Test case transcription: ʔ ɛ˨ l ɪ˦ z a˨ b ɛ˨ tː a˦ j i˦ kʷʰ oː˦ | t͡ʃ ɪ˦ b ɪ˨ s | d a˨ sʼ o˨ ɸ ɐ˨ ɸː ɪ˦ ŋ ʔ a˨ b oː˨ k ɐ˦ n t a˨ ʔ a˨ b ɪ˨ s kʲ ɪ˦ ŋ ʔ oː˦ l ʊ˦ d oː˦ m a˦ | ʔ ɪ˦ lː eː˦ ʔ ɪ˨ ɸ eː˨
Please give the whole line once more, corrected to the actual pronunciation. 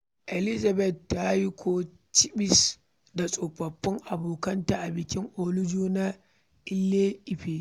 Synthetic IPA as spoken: ʔ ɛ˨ l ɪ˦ z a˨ b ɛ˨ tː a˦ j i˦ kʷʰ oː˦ | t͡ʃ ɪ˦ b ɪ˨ s | d a˨ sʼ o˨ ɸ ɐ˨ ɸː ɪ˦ ŋ ʔ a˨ b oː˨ k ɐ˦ n t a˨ ʔ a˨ b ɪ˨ kʲ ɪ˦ ŋ ʔ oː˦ l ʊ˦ d͡ʒ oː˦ n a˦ | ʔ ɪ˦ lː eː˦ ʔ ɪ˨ ɸ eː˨